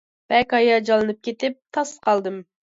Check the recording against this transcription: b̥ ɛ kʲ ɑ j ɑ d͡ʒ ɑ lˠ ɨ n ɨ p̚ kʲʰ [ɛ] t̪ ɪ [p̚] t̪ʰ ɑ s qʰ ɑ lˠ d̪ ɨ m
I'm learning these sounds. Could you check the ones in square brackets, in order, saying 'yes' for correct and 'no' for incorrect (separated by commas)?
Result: no, yes